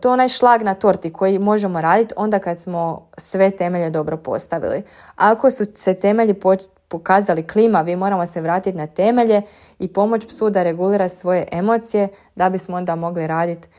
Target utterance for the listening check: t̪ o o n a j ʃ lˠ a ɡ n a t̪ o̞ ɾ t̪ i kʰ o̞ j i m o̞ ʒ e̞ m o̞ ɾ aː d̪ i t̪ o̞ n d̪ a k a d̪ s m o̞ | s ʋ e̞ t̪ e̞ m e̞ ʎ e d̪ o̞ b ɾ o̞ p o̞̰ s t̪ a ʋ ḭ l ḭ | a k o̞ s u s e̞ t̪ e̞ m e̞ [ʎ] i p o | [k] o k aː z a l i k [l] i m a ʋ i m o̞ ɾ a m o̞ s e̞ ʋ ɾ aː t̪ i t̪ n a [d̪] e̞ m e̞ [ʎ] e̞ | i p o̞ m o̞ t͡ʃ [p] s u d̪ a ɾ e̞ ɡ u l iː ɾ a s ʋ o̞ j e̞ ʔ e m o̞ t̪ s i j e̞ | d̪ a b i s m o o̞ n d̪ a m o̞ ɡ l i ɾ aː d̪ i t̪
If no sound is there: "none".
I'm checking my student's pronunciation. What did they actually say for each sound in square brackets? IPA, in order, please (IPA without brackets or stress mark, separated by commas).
ʎ, p, l, t̪, ʎ, p